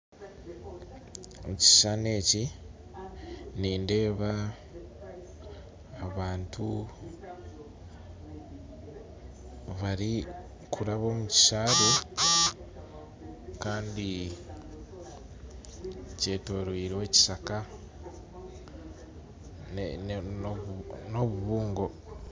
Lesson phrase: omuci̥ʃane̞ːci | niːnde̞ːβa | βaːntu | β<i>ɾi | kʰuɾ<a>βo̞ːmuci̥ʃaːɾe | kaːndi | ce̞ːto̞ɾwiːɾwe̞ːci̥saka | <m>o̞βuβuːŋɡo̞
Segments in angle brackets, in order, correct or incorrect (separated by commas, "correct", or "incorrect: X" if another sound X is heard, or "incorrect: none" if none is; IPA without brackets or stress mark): incorrect: a, correct, incorrect: n